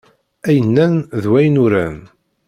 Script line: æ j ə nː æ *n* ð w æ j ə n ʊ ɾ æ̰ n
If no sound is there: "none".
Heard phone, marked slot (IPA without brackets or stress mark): n